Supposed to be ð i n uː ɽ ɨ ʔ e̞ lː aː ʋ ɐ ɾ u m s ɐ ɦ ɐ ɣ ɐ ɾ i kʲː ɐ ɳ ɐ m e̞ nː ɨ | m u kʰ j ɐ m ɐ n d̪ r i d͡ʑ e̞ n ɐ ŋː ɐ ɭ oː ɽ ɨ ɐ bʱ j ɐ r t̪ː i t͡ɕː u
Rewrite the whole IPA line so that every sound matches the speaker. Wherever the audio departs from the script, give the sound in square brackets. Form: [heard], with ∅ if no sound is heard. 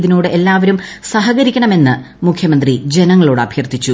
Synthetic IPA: ð i n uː ɽ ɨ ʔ e̞ lː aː ʋ ɐ ɾ u m s ɐ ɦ ɐ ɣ ɐ ɾ i kʲː ɐ ɳ ɐ m e̞ nː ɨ | m u kʰ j ɐ m ɐ n d̪ r i d͡ʑ e̞ n ɐ ŋː ɐ ɭ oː ɽ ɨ ɐ bʱ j ɐ r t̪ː i t͡ɕː u